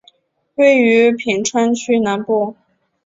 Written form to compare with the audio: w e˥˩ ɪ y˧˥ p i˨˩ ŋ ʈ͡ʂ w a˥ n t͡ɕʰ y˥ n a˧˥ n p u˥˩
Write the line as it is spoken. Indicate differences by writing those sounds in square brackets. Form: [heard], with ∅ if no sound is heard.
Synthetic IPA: w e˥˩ ɪ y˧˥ [pʰ] i˨˩ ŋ [ʈ͡ʂʰ] w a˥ n t͡ɕʰ y˥ n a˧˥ n p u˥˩

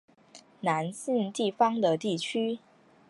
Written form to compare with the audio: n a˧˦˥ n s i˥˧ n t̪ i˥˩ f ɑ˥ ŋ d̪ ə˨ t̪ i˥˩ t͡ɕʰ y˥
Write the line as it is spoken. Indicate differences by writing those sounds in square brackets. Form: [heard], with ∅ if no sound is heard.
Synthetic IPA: n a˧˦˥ n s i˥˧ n t̪ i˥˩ f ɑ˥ ŋ d̪ ə˨ t̪ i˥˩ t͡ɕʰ y˥

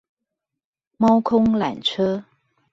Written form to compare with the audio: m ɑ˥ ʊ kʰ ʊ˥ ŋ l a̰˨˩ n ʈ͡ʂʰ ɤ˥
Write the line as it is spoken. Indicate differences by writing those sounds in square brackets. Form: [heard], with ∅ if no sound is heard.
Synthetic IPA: m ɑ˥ ʊ kʰ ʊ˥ ŋ l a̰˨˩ n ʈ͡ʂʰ ɤ˥

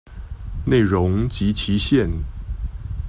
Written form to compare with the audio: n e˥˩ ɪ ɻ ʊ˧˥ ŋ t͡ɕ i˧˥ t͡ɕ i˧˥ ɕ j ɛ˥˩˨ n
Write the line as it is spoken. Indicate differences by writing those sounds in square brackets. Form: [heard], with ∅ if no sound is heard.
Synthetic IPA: n e˥˩ ɪ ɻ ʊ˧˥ ŋ t͡ɕ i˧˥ [t͡ɕʰ] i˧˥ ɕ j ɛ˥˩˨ n

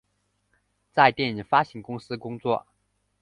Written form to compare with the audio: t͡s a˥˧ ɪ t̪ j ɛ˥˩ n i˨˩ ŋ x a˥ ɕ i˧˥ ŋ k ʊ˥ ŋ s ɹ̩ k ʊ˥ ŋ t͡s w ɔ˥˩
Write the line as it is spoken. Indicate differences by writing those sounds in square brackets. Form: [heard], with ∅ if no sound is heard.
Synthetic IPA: t͡s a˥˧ ɪ t̪ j ɛ˥˩ n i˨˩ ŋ [f] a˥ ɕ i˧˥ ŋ k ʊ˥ ŋ s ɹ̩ k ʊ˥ ŋ t͡s w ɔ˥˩

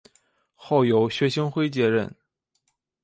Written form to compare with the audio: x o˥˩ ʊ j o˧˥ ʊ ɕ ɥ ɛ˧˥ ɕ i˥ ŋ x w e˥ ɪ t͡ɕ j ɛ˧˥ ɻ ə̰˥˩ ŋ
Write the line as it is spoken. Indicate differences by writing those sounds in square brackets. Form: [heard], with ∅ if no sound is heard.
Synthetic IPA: x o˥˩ ʊ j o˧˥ ʊ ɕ ɥ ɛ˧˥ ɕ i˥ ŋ x w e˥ ɪ t͡ɕ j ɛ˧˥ ɻ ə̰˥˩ [n]

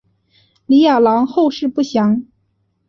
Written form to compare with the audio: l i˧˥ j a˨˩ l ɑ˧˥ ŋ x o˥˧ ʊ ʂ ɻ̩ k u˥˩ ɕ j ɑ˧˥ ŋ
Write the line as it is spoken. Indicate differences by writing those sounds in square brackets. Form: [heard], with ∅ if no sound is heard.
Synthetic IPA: l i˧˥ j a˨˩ l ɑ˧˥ ŋ x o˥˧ ʊ ʂ ɻ̩ [p] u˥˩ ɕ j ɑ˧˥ ŋ

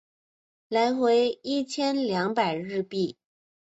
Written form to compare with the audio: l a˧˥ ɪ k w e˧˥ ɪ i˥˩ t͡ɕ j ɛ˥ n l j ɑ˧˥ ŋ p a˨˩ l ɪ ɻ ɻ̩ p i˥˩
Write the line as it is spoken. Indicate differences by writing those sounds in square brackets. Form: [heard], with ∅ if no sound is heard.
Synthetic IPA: l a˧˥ ɪ [x] w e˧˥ ɪ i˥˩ [t͡ɕʰ] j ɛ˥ n l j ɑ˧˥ ŋ p a˨˩ [∅] ɪ ɻ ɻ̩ p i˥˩

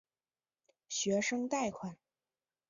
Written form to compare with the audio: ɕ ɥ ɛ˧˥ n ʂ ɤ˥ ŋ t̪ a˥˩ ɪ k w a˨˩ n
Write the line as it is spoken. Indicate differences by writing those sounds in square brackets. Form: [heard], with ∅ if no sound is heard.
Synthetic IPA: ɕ ɥ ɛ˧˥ [∅] ʂ ɤ˥ ŋ t̪ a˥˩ ɪ [kʰ] w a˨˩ n

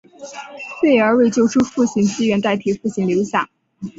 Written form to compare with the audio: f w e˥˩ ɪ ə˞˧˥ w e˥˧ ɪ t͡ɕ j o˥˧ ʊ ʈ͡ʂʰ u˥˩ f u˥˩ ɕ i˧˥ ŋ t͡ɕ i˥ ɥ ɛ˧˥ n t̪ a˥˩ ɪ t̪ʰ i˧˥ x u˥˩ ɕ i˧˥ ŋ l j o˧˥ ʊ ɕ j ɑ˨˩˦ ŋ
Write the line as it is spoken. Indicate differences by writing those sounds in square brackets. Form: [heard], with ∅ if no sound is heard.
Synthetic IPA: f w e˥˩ ɪ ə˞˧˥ w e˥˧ ɪ t͡ɕ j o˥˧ ʊ ʈ͡ʂʰ [u˥] f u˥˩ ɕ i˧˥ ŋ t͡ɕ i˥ ɥ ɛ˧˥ n t̪ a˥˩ ɪ t̪ʰ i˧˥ [f] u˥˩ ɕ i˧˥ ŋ l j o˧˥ ʊ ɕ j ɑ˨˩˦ ŋ

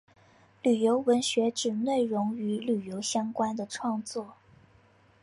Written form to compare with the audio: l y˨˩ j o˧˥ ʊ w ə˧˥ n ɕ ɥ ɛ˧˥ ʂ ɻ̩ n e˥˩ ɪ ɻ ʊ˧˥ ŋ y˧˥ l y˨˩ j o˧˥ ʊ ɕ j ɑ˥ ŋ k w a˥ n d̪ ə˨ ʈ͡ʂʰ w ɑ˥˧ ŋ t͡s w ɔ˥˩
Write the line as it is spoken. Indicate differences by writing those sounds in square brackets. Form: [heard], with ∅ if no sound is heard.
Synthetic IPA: l y˨˩ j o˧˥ ʊ w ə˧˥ n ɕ ɥ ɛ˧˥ [ʈ͡ʂ] ɻ̩ n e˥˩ ɪ ɻ ʊ˧˥ ŋ y˧˥ l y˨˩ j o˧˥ ʊ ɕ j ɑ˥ ŋ k w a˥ n d̪ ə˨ ʈ͡ʂʰ w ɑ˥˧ ŋ t͡s w ɔ˥˩

